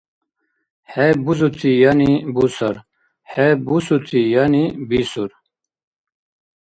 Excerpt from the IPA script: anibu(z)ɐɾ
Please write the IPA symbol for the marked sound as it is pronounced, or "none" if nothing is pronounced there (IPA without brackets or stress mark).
s